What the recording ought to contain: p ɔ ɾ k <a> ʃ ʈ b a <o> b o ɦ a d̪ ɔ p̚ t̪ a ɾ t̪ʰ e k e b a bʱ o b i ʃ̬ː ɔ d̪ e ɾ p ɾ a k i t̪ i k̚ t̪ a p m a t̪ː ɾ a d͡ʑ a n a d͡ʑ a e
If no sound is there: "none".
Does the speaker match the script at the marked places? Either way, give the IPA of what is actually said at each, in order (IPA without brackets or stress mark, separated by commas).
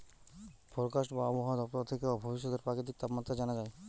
a, ɔ